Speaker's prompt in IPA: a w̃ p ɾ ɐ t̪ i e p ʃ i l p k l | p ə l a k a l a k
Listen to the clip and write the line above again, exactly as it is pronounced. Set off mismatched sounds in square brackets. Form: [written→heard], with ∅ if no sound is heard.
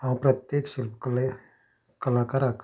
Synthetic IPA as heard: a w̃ p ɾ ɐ t̪ [i→j] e [p→k] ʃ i l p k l | [p→k] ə l a k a [l→ɾ] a k